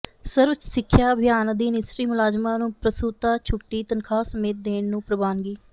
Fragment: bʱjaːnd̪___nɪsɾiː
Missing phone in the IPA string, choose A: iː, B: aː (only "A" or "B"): A